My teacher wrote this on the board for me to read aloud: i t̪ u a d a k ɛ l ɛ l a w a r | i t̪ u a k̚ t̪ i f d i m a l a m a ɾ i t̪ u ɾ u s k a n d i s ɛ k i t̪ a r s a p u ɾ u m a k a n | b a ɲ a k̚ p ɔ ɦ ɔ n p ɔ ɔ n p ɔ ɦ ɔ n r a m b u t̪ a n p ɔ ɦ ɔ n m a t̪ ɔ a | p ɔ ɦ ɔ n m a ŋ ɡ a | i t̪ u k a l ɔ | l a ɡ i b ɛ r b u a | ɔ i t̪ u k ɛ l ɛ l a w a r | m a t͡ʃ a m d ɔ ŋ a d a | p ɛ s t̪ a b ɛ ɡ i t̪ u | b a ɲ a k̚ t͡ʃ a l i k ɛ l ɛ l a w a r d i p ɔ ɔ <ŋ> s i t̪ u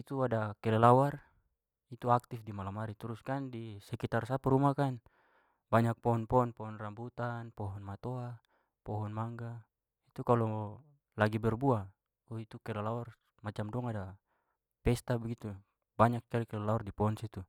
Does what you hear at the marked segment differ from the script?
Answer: yes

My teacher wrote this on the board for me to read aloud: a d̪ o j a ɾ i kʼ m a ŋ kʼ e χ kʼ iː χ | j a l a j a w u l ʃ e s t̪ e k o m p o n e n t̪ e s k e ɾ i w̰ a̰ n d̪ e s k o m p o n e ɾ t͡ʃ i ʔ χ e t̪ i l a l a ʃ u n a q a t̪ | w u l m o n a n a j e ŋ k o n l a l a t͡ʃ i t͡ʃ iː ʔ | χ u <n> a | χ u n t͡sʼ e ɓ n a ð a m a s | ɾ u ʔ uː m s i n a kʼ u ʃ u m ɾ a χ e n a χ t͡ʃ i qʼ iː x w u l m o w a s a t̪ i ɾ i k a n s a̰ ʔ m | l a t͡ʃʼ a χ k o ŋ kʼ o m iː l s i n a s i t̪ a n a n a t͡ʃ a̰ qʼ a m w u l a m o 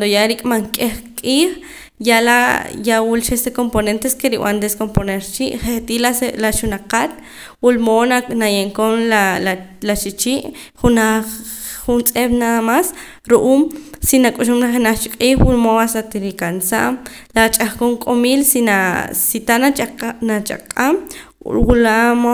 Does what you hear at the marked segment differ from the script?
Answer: no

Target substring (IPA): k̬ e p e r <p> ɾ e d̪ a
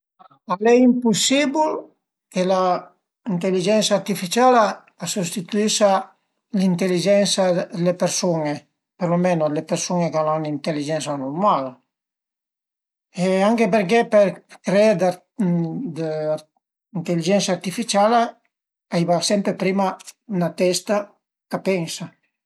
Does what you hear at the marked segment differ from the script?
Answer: yes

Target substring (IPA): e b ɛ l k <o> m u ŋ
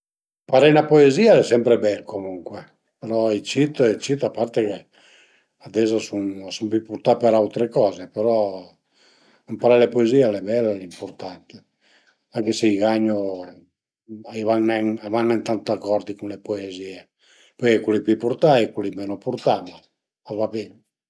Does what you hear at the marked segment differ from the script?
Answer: no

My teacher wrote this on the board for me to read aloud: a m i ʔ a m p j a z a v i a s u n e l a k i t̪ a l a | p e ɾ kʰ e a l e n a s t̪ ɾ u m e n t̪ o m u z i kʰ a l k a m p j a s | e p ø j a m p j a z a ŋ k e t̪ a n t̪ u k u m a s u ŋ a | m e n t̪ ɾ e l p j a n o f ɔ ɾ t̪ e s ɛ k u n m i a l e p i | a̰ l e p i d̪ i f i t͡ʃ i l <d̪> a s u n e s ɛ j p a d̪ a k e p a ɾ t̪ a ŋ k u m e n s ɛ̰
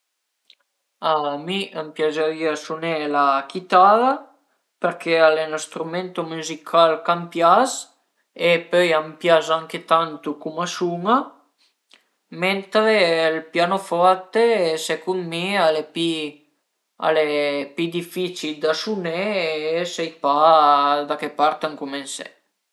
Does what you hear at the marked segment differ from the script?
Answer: no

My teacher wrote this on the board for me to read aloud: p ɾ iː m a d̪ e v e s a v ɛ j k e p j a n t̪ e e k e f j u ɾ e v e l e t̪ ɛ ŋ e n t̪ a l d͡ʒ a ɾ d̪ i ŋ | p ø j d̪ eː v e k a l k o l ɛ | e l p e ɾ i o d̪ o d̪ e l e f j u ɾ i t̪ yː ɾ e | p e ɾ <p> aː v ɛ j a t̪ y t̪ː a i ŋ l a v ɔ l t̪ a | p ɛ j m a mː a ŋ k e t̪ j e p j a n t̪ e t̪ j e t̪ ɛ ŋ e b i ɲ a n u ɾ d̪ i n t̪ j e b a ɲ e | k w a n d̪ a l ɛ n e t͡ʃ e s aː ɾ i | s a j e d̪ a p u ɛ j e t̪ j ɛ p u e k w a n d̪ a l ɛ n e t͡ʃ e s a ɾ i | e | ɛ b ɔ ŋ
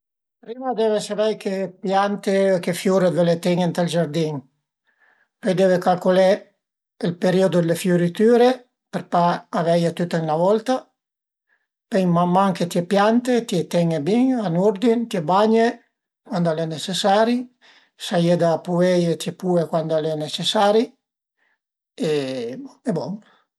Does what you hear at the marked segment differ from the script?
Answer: no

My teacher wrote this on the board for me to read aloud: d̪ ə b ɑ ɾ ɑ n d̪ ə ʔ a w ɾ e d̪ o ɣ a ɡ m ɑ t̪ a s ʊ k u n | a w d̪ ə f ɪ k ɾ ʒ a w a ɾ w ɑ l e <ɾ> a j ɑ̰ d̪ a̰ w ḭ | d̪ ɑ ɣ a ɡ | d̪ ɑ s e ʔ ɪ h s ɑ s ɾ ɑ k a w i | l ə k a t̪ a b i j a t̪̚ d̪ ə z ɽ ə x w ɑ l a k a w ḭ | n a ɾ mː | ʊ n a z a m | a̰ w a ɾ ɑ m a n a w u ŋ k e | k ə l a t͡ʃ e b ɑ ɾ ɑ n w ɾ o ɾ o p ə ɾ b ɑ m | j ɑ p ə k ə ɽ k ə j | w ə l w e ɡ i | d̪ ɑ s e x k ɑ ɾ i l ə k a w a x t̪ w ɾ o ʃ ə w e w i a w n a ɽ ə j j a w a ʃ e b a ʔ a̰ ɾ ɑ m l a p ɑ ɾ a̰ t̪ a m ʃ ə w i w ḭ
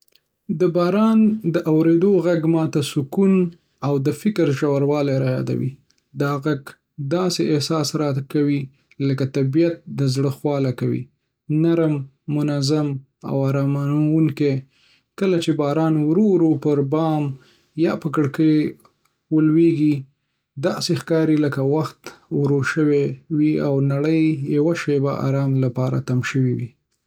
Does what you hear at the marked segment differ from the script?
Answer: no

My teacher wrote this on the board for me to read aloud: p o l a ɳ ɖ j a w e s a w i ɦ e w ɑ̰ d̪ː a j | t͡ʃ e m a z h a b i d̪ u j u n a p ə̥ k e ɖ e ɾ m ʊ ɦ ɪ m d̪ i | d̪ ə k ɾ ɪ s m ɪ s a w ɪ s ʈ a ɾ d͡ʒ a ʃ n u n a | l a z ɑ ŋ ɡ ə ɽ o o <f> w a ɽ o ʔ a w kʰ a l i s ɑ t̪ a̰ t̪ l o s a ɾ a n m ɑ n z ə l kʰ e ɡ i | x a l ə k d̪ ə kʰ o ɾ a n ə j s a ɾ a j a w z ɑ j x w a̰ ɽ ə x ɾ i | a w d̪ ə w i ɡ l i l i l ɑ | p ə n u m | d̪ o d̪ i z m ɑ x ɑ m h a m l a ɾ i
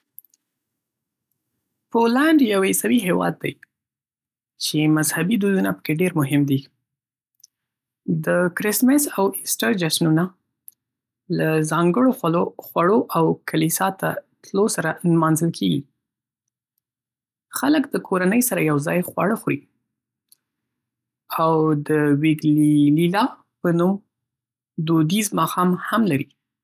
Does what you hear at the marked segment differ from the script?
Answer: yes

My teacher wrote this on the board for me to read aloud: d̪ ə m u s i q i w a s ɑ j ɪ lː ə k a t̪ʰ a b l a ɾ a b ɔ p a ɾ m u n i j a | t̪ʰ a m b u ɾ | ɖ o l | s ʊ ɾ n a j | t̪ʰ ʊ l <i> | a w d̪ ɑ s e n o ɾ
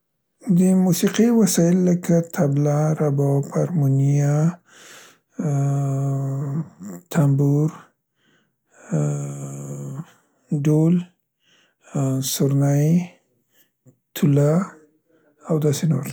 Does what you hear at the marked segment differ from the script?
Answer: yes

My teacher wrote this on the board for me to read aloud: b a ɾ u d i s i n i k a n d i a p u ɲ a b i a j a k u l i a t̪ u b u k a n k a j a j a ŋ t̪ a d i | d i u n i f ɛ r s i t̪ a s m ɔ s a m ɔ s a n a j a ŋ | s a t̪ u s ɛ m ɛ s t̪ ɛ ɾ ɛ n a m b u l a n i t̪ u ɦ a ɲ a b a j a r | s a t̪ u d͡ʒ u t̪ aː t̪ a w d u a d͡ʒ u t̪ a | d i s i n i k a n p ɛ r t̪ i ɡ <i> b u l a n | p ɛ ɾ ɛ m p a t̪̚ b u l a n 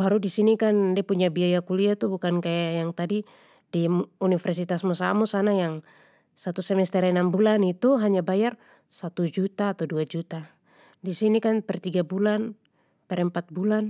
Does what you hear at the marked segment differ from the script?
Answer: yes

